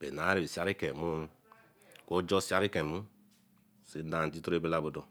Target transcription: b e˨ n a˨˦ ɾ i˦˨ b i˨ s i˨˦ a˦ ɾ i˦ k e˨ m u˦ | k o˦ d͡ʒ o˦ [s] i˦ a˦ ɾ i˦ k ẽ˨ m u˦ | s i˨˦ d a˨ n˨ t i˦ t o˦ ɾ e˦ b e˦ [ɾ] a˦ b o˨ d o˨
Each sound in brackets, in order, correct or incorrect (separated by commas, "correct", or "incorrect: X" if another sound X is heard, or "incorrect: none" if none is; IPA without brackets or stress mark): correct, incorrect: l